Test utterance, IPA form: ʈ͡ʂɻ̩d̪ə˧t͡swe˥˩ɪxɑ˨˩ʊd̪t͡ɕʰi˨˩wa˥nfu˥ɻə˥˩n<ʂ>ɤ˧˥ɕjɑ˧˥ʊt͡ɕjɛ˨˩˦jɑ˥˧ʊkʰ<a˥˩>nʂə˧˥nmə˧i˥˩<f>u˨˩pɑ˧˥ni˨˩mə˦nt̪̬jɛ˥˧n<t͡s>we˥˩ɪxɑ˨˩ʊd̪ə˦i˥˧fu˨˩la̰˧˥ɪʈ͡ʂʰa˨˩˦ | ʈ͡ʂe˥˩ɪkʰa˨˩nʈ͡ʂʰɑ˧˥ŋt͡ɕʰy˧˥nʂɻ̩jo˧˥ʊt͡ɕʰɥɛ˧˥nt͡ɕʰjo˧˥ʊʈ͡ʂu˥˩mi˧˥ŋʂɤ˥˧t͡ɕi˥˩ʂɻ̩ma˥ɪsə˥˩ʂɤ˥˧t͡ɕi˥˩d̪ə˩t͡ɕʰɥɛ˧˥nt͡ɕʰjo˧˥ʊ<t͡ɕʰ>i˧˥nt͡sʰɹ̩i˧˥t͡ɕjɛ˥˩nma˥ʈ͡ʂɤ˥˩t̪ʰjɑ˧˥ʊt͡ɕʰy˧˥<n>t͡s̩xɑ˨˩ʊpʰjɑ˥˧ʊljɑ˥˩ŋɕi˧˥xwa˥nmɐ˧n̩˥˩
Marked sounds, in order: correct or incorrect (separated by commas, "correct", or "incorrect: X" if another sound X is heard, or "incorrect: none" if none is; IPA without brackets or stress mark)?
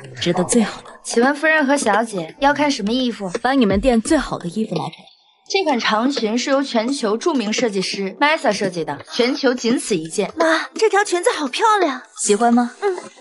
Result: incorrect: x, correct, correct, correct, incorrect: t͡ɕ, correct